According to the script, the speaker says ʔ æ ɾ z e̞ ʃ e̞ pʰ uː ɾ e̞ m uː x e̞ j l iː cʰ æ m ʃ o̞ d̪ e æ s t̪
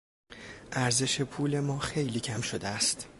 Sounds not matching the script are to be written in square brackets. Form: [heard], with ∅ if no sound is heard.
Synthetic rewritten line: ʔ æ ɾ z e̞ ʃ e̞ pʰ uː [l] e̞ m [ɒː] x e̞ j l iː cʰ æ m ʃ o̞ d̪ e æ s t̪